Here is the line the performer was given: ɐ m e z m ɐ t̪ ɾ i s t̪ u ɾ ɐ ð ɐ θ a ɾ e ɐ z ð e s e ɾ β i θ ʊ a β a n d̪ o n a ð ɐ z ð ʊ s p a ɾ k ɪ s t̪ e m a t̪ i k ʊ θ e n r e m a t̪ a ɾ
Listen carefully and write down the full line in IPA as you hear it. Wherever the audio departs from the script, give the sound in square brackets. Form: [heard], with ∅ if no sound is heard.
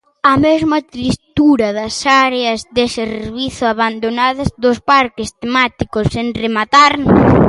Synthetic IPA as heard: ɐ m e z m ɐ t̪ ɾ i s t̪ u ɾ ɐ ð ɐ [s] a ɾ e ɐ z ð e s e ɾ β i θ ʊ a β a n d̪ o n a ð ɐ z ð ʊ s p a ɾ k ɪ s t̪ e m a t̪ i k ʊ [s] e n r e m a t̪ a ɾ